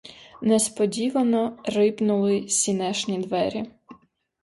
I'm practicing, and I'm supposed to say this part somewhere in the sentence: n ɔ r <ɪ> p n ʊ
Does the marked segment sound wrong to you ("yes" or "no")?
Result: no